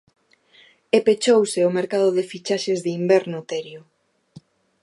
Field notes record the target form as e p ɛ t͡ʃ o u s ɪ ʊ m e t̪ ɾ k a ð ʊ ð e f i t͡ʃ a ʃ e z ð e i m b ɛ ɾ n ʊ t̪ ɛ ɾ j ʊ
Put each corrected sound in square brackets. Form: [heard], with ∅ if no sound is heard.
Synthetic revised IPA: e p [e] t͡ʃ o [w] s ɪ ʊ m e [∅] ɾ k a ð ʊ ð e f i t͡ʃ a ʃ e z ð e i m b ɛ ɾ n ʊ t̪ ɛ ɾ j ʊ